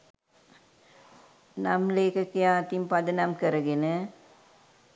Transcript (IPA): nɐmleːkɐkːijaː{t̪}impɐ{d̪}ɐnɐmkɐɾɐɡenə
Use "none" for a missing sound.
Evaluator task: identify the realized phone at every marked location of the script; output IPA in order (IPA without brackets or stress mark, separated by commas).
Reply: t̪, d̪